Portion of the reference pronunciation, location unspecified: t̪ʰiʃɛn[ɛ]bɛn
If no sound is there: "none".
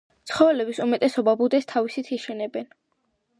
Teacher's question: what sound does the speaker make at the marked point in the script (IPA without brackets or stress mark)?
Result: ɛ